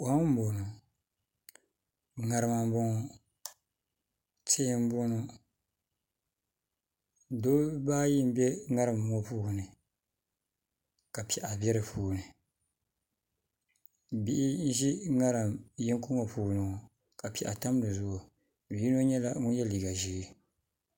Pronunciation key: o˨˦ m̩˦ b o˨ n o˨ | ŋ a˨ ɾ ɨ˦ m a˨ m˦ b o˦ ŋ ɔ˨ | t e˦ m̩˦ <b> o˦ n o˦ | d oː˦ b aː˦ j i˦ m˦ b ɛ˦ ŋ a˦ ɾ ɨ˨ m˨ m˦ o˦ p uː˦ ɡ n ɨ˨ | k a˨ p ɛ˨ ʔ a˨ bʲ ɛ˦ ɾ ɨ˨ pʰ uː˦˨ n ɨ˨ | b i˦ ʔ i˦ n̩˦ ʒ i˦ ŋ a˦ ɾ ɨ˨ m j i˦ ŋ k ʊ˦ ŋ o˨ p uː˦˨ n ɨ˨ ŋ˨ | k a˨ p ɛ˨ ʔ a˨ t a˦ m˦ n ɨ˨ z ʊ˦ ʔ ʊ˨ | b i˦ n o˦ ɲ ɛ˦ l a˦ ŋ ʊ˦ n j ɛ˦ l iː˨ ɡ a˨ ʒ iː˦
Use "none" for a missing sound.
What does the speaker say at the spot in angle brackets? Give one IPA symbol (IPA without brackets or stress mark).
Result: b